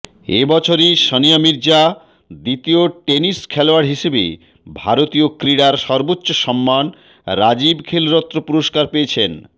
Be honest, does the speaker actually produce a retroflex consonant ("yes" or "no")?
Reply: yes